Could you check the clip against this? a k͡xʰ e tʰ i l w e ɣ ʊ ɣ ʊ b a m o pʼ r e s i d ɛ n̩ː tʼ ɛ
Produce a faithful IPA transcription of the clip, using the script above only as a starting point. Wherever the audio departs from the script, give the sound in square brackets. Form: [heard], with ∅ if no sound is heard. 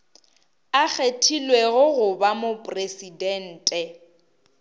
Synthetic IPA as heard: a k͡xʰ e tʰ i l w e ɣ ʊ ɣ ʊ b a m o pʼ r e s i d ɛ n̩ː tʼ ɛ